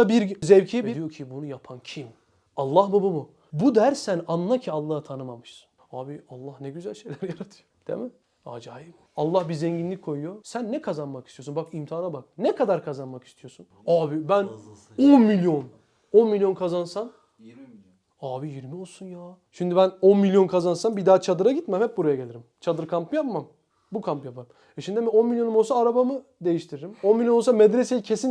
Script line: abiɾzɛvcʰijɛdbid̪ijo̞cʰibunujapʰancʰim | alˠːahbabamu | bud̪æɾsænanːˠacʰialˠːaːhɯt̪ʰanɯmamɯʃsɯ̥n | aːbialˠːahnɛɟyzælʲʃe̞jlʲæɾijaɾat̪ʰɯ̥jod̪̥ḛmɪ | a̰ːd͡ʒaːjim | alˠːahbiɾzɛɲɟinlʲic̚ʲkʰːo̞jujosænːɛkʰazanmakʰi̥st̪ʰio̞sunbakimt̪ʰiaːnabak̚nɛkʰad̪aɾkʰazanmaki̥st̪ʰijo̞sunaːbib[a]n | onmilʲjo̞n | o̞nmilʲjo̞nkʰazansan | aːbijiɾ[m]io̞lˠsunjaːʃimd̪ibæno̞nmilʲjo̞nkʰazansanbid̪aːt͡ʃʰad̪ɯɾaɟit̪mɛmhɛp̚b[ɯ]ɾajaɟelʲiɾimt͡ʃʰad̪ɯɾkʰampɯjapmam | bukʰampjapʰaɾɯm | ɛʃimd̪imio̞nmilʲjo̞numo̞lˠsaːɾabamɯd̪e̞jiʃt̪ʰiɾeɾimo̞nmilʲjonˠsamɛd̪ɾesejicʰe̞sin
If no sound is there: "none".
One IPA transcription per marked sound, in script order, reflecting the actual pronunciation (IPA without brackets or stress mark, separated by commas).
æ, m, u